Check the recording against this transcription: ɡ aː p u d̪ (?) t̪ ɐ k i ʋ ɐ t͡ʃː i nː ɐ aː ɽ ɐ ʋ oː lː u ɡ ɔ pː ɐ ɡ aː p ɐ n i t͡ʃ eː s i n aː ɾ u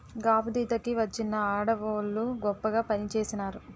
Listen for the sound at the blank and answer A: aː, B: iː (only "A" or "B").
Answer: B